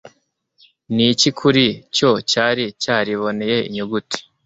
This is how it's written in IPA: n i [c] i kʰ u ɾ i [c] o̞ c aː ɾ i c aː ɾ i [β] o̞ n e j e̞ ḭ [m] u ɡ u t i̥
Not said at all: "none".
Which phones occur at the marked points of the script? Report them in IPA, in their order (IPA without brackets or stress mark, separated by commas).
c, c, β, ɲ